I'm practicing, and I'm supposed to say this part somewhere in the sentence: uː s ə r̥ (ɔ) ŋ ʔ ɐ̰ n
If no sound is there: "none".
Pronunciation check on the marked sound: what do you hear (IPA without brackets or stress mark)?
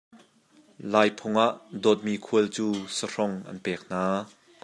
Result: ɔ